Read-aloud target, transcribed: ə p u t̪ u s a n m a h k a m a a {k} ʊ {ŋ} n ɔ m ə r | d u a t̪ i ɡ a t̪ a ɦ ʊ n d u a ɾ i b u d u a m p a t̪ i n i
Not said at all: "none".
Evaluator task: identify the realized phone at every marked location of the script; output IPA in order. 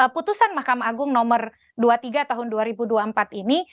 ɡ, ŋ

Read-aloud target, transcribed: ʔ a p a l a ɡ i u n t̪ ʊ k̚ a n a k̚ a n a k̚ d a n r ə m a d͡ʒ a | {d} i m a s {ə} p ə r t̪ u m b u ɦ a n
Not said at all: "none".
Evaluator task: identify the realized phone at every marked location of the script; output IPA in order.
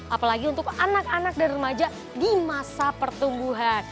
d, a

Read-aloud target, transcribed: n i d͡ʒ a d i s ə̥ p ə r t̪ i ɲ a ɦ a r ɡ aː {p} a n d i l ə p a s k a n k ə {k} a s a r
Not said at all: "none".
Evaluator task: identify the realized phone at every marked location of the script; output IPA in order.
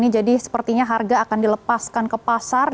k, p

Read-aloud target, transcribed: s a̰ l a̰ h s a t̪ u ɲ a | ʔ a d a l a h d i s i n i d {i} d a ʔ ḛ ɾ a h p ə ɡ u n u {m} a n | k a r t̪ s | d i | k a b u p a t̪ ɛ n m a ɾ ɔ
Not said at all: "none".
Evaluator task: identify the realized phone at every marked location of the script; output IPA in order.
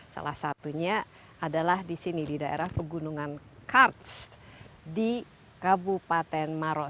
i, ŋ

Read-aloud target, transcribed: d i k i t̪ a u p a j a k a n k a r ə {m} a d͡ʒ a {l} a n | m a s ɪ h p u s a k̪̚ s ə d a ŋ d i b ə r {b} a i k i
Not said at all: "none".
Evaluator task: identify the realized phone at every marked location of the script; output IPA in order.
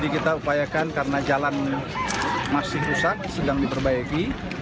n, l, b

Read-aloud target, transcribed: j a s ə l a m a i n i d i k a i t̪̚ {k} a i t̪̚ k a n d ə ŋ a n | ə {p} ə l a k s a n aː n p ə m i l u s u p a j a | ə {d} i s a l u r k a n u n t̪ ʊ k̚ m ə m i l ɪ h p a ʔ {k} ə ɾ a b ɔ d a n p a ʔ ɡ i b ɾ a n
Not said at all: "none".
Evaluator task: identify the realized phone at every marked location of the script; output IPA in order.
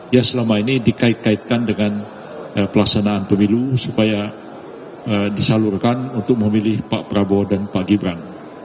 k, p, d, p

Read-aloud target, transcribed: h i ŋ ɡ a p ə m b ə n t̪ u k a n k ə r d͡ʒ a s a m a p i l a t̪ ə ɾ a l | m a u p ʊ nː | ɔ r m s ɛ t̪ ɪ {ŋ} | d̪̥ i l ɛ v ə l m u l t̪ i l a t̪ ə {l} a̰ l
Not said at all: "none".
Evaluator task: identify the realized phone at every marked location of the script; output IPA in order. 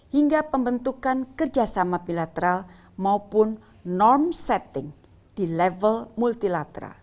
ŋ, ɾ

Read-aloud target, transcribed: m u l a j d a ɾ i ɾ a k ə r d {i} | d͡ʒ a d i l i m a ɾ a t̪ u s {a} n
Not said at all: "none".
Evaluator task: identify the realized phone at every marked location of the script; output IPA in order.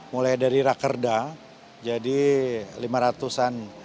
a, a

